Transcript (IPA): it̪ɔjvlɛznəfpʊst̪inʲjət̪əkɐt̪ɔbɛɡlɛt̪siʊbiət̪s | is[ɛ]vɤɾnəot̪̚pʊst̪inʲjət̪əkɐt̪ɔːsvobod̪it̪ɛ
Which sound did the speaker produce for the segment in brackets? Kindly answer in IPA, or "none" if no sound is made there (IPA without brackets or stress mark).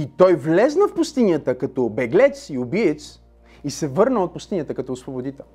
ɛ